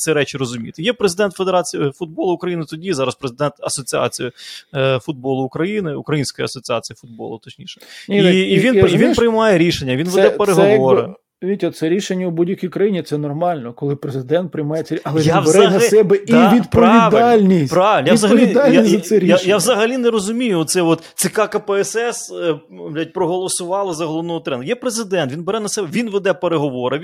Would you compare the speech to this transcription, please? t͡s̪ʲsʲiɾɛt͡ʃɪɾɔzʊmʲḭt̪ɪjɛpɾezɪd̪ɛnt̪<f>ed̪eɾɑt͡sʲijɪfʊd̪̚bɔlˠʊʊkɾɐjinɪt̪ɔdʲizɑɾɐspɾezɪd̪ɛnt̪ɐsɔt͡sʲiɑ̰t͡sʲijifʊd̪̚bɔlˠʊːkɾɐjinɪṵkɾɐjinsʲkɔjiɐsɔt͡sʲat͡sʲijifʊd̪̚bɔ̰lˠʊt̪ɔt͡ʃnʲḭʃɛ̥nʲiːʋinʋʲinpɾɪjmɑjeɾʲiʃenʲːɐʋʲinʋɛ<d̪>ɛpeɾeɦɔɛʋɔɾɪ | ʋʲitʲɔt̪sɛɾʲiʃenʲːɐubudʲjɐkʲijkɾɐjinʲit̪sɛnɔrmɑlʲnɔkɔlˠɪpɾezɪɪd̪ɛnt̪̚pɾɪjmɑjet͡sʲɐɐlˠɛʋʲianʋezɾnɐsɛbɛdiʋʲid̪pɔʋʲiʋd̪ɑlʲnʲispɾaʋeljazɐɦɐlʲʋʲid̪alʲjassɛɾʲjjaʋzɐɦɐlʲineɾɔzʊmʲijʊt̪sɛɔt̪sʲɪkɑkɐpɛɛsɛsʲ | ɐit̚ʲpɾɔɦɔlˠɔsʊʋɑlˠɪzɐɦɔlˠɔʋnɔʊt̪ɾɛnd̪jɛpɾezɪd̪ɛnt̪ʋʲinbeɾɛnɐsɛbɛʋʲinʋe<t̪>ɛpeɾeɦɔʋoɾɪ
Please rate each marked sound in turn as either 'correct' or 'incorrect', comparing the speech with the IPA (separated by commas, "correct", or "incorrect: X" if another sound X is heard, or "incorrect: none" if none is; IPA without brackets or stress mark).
correct, correct, incorrect: d̪